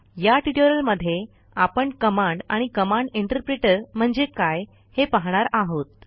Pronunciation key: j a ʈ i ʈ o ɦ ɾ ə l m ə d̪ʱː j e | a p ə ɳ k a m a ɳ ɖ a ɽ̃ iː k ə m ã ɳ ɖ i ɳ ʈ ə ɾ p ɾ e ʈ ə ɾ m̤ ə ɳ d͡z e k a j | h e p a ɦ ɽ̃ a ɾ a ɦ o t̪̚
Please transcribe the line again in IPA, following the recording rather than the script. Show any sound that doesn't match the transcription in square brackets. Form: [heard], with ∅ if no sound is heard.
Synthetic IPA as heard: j a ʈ i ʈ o [∅] ɾ ə l m ə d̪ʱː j e | a p ə ɳ k [ə] m a ɳ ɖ a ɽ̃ [i] k ə m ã ɳ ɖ i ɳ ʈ ə ɾ p ɾ e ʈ ə ɾ m̤ ə ɳ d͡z e k a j | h e p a ɦ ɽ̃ a ɾ a ɦ o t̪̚